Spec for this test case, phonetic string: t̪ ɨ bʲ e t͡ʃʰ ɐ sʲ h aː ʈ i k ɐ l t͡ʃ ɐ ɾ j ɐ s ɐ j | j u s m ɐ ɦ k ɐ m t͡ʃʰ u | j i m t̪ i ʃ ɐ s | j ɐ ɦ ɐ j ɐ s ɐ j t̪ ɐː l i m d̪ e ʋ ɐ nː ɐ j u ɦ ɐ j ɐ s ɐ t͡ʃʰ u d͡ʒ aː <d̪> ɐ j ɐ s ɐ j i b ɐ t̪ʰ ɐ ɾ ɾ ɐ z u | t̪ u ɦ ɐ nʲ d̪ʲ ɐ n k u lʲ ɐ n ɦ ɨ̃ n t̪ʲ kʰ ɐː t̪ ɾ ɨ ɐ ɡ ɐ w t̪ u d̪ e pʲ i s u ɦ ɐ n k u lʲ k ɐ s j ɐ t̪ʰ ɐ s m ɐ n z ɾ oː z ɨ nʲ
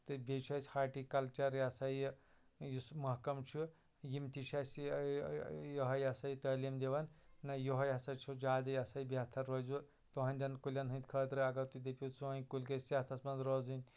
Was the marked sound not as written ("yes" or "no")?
no